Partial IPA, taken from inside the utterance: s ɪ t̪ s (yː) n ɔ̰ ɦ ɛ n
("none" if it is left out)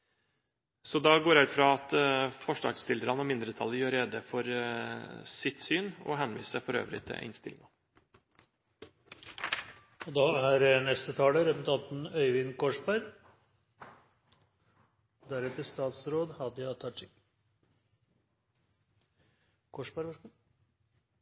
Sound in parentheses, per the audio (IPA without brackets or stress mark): yː